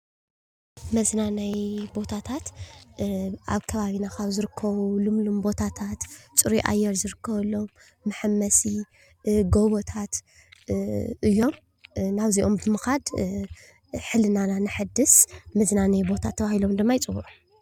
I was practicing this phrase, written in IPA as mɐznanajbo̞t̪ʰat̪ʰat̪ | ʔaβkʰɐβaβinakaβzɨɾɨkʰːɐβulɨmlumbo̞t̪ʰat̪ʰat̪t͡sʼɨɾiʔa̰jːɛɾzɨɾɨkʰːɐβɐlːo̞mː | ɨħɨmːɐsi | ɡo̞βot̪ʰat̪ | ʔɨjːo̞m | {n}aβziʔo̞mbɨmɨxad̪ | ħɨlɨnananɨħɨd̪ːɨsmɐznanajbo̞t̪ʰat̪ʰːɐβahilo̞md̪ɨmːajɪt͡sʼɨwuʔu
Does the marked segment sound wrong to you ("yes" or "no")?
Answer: no